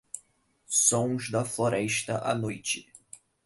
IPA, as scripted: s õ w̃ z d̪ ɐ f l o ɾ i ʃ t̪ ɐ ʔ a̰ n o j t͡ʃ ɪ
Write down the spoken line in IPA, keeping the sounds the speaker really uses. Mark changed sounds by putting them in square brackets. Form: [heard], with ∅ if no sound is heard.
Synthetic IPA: s õ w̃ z d̪ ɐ f l o ɾ [ɛ] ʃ t̪ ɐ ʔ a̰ n o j t͡ʃ ɪ